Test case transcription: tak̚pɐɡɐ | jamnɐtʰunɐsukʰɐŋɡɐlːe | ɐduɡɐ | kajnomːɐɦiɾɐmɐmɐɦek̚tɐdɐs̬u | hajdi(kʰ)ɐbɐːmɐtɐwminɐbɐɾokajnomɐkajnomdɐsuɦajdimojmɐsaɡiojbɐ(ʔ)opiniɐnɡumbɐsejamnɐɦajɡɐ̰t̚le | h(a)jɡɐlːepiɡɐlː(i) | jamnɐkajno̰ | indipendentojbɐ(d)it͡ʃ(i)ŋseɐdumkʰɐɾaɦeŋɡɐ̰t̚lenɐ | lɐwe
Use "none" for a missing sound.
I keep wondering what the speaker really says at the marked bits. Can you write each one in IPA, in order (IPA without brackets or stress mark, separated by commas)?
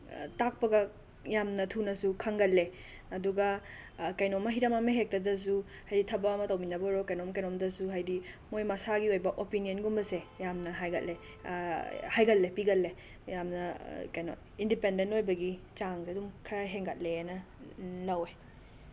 tʰ, ʔ, a, e, ɡ, a